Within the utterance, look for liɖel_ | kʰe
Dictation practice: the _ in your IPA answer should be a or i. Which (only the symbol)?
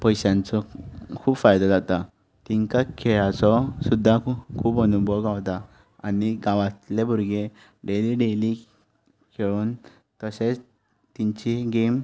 i